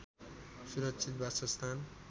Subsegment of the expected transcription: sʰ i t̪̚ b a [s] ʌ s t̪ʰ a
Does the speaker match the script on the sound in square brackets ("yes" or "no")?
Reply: yes